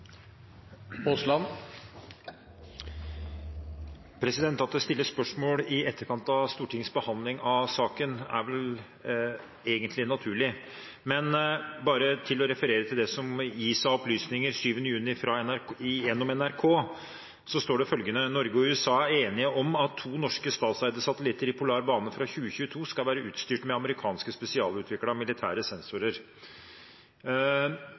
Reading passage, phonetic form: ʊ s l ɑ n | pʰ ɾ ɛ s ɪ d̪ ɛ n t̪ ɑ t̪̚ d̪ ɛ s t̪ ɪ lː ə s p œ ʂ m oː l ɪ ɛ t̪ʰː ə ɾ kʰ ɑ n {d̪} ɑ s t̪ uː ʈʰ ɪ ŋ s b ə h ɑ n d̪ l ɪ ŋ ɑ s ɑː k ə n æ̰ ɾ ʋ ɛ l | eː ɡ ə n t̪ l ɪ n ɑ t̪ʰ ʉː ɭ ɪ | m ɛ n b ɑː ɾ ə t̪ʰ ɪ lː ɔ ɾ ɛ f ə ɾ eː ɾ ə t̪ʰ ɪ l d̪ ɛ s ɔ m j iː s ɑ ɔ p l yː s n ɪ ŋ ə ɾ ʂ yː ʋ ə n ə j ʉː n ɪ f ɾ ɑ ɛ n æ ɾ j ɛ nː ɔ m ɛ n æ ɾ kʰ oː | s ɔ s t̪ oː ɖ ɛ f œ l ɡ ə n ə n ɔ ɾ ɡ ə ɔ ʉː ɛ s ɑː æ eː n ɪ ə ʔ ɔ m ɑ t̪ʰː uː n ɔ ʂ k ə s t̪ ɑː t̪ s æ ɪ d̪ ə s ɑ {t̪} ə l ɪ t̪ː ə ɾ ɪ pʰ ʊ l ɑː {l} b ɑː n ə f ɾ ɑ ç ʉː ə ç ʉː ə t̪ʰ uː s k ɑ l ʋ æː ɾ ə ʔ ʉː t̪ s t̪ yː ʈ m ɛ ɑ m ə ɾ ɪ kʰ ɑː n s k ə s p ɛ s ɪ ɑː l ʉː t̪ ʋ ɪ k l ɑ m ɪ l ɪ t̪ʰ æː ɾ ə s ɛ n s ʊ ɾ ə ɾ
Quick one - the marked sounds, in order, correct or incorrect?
incorrect, correct, incorrect

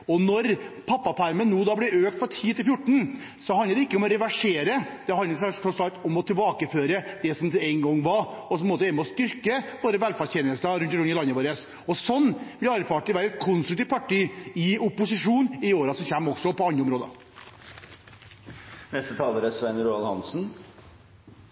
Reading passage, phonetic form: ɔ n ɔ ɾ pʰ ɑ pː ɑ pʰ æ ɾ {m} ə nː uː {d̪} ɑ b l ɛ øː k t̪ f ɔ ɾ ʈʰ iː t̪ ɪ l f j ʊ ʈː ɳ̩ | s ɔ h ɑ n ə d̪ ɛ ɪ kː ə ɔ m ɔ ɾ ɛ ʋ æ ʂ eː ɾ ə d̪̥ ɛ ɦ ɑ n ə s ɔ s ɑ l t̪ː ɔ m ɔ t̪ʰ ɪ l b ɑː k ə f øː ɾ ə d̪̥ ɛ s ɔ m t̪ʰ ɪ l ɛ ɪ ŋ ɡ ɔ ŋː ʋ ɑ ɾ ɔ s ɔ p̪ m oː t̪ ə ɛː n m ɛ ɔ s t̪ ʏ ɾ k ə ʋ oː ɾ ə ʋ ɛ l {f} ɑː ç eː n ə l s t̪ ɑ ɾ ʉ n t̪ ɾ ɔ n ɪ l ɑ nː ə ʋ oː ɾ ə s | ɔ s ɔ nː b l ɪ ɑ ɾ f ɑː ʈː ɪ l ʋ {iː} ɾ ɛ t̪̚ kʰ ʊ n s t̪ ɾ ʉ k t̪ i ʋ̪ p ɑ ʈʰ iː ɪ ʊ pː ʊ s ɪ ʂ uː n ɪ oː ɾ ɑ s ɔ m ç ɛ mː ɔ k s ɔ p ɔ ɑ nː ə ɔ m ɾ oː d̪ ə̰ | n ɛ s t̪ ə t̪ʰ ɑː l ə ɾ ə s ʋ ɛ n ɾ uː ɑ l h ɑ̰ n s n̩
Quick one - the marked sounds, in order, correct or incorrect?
correct, correct, correct, incorrect

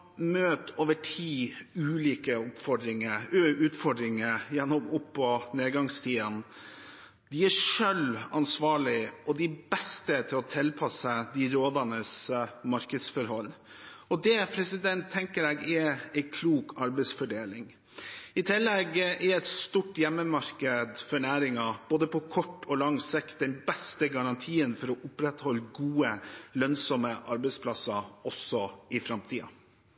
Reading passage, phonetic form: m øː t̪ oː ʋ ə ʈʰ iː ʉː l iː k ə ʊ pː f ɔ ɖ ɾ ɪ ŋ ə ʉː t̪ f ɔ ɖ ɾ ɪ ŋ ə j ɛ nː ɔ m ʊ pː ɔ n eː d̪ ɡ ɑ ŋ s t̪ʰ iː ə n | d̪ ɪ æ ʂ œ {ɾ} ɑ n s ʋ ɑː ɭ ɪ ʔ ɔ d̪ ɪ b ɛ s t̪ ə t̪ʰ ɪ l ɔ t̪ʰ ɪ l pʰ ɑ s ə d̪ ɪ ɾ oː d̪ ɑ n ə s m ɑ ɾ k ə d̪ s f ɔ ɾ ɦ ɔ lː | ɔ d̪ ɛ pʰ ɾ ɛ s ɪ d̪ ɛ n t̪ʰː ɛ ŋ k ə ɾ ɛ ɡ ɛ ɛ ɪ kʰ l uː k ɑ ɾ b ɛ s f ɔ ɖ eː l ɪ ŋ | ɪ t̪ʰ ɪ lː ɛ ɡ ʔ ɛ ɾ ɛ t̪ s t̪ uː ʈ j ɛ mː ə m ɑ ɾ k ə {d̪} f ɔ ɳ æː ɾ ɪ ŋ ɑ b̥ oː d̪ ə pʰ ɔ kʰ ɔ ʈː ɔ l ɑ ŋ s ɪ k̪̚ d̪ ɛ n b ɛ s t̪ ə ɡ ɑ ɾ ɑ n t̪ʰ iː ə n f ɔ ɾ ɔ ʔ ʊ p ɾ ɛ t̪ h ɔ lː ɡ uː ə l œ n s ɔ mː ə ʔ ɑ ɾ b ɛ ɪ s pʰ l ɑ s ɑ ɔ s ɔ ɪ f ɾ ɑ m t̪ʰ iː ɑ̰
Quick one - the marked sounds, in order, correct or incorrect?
incorrect, correct

